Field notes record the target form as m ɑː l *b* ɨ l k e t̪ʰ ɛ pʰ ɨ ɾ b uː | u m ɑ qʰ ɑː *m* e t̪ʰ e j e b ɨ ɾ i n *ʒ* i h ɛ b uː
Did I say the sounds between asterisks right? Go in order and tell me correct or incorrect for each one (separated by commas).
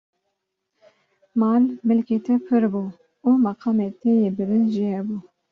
incorrect, correct, correct